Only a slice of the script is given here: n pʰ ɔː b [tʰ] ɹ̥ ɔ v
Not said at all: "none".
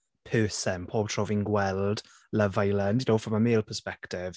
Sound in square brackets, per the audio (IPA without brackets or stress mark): tʰ